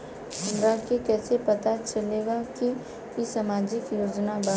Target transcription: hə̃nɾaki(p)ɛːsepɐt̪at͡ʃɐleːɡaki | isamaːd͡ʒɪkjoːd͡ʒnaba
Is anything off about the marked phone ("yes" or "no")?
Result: yes